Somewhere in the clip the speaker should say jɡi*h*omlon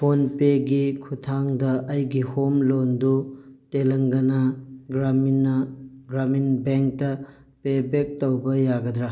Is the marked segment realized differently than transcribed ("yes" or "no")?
no